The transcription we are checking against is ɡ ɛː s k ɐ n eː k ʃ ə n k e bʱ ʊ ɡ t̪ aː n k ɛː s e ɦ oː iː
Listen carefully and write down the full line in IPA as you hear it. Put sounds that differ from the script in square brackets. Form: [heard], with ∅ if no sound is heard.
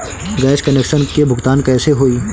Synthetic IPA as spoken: ɡ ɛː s k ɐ n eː k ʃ ə n k e bʱ ʊ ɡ t̪ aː n k ɛː s e ɦ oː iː